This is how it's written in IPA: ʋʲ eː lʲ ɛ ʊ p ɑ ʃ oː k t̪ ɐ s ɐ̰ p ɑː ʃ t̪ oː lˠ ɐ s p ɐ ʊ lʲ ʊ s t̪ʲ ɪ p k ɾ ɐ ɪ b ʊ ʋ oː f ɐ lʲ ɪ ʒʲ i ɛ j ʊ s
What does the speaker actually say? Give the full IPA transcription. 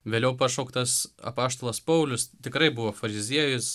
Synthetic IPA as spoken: ʋʲ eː lʲ ɛ ʊ p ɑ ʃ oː k t̪ ɐ s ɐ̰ p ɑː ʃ t̪ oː lˠ ɐ s p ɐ ʊ lʲ ʊ s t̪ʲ ɪ k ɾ ɐ ɪ b ʊ ʋ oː f ɐ ɾʲ ɪ zʲ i ɛ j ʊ s